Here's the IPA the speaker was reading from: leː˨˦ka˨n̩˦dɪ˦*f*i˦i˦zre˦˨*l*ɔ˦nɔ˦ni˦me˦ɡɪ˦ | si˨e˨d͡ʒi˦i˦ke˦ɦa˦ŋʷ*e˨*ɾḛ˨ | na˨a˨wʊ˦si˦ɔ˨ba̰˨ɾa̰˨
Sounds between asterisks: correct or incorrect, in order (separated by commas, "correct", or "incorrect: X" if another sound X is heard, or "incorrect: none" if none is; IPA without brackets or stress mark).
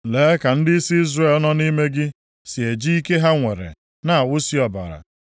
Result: incorrect: s, correct, correct